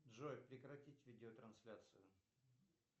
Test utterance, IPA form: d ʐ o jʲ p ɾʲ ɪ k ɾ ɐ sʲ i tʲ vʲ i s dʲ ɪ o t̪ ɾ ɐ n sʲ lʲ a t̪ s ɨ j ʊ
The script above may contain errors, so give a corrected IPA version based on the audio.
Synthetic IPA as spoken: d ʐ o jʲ p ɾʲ ɪ k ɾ ɐ tʲ i tʲ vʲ i dʲ ɪ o t̪ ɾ ɐ n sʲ lʲ a t̪ s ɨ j ʊ